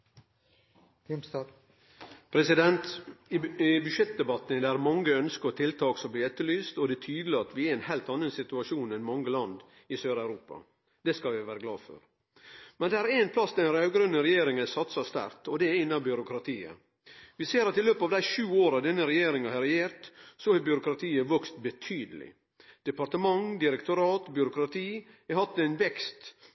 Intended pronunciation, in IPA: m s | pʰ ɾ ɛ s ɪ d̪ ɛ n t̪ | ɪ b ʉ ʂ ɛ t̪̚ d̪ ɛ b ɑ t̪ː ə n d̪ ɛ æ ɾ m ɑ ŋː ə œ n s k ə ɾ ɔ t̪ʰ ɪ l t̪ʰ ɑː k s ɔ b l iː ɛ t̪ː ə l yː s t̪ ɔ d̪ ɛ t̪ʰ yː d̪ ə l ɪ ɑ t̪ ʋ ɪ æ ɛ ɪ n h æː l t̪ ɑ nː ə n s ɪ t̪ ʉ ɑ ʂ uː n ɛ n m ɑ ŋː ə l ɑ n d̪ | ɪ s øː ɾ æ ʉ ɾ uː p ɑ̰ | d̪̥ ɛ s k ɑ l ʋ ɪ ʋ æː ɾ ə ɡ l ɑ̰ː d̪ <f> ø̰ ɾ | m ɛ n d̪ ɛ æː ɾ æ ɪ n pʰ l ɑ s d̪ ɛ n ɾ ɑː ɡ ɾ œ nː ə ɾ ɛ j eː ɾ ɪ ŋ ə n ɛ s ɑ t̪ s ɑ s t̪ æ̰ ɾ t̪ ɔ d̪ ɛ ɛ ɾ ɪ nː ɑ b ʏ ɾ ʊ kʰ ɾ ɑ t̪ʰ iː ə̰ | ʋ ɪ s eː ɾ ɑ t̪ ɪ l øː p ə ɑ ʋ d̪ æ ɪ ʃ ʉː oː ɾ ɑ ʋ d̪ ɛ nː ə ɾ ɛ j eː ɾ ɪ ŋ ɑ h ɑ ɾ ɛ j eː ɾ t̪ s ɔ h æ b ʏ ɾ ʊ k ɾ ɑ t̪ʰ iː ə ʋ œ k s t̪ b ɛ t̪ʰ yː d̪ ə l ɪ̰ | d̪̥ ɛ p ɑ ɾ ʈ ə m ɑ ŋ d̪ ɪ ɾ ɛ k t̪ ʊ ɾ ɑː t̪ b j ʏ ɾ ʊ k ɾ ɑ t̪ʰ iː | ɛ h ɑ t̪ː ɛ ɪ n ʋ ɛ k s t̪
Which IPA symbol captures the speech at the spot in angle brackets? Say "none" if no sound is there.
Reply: f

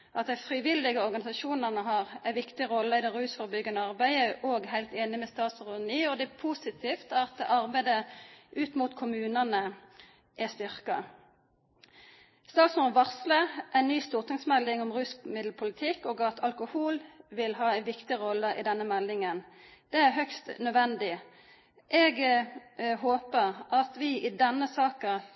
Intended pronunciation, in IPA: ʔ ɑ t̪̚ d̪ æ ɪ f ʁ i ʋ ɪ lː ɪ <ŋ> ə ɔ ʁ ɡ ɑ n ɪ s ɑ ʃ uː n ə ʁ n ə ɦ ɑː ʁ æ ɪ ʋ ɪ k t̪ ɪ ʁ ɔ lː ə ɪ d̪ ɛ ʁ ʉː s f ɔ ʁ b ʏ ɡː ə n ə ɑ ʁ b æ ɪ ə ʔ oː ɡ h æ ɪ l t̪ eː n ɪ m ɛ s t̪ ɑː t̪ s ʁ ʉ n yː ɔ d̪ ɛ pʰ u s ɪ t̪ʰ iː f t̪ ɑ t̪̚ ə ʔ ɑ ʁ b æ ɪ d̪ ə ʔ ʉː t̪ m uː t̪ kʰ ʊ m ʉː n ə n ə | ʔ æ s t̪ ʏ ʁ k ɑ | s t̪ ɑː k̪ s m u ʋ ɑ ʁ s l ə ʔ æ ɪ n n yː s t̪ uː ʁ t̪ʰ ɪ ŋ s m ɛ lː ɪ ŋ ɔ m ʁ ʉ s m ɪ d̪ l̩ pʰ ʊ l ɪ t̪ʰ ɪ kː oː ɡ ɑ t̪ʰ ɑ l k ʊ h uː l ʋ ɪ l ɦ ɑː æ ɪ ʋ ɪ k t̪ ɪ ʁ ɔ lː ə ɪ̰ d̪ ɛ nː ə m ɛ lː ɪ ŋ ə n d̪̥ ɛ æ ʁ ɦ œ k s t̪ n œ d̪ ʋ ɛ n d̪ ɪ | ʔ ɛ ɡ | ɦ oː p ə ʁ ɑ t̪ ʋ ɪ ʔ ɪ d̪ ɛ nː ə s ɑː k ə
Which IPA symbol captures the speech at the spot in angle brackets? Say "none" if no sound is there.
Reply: ɡ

